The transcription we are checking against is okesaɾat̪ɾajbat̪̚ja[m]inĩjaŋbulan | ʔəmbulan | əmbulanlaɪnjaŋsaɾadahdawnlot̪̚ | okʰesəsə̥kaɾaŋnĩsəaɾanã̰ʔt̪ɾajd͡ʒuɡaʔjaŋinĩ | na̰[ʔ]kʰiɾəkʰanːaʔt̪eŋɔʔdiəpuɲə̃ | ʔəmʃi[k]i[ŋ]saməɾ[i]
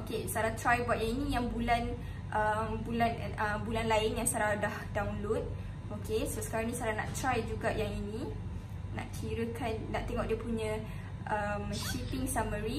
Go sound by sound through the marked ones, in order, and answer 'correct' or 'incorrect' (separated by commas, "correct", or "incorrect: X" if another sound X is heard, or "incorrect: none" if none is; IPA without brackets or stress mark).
incorrect: ŋ, correct, incorrect: p, correct, correct